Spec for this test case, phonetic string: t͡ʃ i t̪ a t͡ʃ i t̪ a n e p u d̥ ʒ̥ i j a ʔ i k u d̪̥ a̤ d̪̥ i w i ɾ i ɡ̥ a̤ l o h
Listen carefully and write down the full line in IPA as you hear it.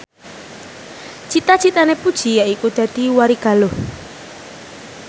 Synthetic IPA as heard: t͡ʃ i t̪ a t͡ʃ i t̪ a n e p u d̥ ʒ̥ i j a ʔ i k u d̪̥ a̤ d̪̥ i w a ɾ i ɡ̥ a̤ l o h